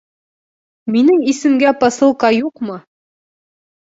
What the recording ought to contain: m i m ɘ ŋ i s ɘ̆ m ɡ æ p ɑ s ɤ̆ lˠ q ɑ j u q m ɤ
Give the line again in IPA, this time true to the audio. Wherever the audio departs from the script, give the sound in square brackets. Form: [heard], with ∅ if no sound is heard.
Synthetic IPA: m i [n] ɘ ŋ i s ɘ̆ m ɡ æ p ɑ s ɤ̆ lˠ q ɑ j u q m ɤ